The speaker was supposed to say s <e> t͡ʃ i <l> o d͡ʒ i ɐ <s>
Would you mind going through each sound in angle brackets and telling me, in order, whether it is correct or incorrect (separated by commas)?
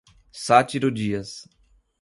incorrect, incorrect, correct